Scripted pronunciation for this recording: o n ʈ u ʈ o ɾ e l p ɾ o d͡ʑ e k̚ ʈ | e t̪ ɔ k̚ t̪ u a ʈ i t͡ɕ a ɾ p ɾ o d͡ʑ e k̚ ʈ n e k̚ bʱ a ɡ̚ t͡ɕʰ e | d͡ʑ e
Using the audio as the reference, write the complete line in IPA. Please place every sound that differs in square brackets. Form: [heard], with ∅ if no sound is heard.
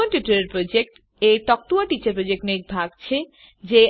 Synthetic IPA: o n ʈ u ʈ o ɾ e [ɾ] p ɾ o d͡ʑ e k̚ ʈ | e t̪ ɔ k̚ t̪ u a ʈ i t͡ɕ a ɾ p ɾ o d͡ʑ e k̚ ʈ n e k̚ bʱ a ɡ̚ t͡ɕʰ e | d͡ʑ e